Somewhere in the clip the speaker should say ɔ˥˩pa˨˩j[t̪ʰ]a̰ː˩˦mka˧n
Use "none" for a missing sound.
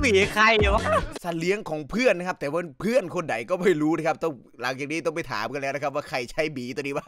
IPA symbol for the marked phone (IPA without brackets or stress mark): t̪ʰ